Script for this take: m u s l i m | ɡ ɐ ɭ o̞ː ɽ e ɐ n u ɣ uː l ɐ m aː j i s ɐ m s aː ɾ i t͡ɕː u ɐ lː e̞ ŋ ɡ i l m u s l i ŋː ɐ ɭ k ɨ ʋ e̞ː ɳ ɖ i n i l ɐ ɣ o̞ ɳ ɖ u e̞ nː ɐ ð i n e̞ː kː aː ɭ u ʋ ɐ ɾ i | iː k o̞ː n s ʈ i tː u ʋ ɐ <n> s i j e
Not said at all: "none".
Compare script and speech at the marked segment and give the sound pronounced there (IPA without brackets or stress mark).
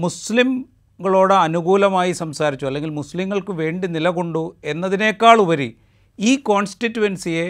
n